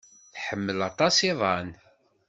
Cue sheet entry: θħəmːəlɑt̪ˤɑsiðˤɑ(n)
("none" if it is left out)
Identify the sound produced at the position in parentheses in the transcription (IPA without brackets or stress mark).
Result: n